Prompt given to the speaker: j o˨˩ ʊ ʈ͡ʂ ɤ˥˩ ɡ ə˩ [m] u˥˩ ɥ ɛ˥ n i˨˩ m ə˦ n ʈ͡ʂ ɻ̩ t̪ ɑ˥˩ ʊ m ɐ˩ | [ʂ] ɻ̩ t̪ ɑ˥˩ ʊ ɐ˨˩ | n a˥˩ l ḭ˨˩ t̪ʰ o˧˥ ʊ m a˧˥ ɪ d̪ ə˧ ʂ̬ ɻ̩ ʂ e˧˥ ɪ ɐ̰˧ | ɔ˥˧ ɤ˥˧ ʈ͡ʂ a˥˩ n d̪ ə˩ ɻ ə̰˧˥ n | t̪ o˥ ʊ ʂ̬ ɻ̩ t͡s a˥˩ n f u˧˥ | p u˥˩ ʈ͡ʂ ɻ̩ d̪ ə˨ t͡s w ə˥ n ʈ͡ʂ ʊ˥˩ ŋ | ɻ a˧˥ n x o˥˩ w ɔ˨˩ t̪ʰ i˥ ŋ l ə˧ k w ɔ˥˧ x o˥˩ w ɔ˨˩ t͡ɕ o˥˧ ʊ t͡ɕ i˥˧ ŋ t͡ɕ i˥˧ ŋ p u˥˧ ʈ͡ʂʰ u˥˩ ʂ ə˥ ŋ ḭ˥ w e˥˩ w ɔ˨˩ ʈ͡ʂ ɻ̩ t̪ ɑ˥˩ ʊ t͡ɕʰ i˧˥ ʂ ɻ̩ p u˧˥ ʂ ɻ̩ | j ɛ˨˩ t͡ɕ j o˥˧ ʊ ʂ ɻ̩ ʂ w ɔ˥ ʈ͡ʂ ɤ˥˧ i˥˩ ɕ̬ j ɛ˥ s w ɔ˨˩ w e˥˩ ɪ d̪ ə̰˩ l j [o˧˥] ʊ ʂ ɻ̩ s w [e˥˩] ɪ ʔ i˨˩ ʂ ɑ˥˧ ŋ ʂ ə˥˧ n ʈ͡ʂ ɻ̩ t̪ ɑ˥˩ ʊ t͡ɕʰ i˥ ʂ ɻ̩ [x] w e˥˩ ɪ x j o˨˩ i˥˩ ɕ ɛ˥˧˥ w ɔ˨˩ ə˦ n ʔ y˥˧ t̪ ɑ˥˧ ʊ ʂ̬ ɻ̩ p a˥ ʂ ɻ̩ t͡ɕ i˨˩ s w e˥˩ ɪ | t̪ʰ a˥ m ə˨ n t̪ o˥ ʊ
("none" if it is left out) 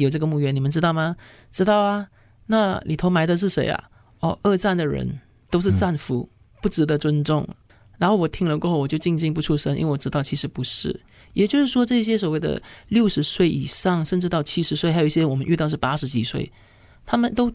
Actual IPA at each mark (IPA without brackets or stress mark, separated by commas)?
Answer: m, ʈ͡ʂ, o˥˩, e˥˩, s